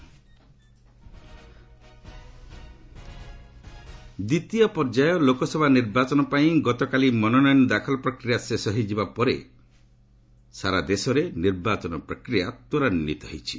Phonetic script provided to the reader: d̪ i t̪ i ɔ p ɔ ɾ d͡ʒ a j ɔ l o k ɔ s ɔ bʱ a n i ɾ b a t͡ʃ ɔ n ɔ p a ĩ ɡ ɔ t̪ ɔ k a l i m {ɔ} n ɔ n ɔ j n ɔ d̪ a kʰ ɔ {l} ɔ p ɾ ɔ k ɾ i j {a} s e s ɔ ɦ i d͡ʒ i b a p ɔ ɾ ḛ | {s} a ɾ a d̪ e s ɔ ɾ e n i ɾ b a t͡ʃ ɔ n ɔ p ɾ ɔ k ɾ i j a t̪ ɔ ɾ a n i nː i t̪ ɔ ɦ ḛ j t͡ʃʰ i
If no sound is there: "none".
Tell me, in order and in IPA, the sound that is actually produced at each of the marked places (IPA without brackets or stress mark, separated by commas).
ɔ, l, a, s